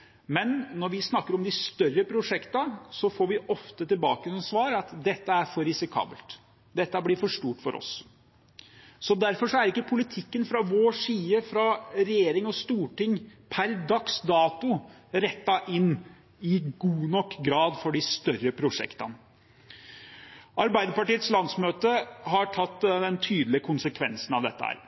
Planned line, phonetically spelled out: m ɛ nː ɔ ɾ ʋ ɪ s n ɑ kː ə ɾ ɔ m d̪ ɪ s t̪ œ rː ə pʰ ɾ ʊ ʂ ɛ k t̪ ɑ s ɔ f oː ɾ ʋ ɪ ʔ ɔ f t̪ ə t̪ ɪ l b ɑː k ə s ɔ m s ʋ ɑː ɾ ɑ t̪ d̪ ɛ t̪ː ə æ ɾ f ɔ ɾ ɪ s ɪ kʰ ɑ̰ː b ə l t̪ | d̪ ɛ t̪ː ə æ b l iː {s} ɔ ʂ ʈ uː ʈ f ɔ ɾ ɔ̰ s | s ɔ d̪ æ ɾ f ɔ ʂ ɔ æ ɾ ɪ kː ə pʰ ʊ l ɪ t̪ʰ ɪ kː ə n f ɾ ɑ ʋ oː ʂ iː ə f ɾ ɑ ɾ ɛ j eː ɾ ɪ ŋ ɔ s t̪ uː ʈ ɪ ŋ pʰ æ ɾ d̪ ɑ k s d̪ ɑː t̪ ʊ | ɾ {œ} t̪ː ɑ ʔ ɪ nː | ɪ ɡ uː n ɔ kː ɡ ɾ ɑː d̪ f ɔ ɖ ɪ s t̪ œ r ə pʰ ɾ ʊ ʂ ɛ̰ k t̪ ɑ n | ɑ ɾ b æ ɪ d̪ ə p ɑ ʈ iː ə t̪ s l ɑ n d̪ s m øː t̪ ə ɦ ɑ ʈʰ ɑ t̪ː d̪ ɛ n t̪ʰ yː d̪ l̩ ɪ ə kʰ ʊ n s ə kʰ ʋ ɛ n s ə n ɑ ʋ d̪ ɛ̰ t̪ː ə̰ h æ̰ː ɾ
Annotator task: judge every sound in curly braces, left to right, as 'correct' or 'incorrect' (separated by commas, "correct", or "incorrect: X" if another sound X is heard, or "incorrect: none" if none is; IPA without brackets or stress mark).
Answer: incorrect: f, incorrect: ɛ